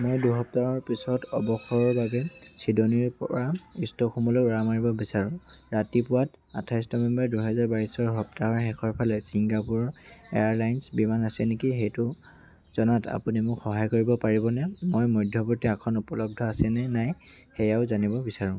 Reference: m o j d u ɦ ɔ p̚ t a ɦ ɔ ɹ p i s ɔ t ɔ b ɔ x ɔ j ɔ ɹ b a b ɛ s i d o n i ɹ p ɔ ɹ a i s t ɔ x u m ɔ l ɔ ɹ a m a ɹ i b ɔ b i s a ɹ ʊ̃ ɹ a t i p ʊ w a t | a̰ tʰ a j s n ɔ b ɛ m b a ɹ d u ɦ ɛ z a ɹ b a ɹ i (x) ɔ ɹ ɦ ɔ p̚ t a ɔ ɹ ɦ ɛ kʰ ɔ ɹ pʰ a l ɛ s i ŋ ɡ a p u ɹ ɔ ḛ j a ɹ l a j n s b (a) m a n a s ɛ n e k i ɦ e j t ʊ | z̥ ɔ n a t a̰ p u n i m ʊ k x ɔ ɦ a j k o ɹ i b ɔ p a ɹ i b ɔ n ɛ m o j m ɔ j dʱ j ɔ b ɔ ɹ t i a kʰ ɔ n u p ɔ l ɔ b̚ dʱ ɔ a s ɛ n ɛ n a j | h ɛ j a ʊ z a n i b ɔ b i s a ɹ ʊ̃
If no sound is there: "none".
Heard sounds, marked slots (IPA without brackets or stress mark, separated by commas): s, i